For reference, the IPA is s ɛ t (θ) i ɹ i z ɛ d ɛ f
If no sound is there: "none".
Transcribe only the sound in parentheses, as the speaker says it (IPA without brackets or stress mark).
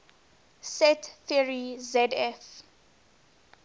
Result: θ